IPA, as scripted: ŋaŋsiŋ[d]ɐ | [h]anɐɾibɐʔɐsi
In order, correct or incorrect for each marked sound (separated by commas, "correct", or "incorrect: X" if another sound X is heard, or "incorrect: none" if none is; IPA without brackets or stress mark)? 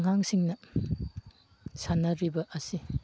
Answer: incorrect: n, incorrect: s